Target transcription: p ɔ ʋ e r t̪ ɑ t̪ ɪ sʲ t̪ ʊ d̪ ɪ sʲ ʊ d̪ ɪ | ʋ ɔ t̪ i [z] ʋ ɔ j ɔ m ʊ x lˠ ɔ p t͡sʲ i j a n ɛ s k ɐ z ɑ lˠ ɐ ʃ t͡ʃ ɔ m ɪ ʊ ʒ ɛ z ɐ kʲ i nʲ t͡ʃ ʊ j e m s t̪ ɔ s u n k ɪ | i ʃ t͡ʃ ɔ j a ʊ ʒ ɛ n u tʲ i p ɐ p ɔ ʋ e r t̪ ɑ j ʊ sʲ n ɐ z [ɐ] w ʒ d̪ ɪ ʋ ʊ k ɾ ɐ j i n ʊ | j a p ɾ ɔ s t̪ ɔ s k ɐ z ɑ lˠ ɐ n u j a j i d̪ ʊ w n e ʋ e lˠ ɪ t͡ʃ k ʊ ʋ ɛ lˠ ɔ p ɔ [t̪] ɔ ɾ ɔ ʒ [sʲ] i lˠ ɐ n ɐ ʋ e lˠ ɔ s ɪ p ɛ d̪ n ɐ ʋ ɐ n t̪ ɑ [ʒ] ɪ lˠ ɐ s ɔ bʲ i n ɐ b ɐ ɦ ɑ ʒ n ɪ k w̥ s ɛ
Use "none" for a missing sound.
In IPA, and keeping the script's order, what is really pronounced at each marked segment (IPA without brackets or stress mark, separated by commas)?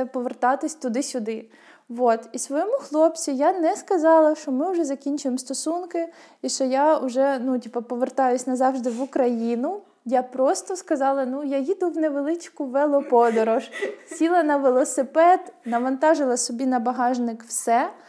s, ɑ, d̪, sʲ, ʒ